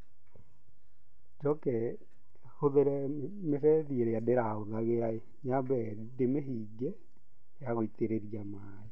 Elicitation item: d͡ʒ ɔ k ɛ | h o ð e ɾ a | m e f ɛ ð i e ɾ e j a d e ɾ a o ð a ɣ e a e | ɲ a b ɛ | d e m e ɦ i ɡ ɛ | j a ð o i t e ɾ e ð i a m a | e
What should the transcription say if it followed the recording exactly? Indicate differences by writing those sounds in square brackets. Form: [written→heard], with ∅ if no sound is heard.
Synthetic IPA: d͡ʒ ɔ k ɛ | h o ð e ɾ [a→ɛ] | m e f ɛ ð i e ɾ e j a d e ɾ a o ð a ɣ e a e | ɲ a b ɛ | d e m e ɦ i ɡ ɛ | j a [ð→ɣ] o i t e ɾ e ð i a m a | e